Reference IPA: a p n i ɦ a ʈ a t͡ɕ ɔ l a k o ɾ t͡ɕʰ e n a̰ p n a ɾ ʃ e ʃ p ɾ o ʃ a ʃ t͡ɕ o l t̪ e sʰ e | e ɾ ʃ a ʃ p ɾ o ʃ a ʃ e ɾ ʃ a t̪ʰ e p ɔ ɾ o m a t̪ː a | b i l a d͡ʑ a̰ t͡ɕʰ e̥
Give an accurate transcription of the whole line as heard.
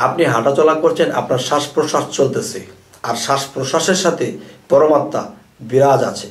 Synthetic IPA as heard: a p n i ɦ a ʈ a t͡ɕ ɔ l a k o ɾ t͡ɕʰ e n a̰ p n a ɾ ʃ a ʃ p ɾ o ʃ a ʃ t͡ɕ o l t̪ e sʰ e | a ɾ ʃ a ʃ p ɾ o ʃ a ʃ e ɾ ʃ a t̪ʰ e p ɔ ɾ o m a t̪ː a | b i ɾ a d͡ʑ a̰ t͡ɕʰ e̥